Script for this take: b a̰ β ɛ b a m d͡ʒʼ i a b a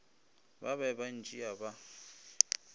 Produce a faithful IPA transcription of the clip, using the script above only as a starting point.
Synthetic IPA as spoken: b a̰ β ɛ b a n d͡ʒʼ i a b a